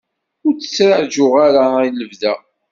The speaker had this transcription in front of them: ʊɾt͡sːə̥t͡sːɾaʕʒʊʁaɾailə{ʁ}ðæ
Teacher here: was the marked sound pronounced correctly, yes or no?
no